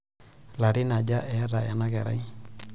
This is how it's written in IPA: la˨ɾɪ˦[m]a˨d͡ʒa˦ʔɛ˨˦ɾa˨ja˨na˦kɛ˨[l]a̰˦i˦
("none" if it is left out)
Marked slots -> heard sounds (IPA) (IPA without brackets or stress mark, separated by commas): n, ɾ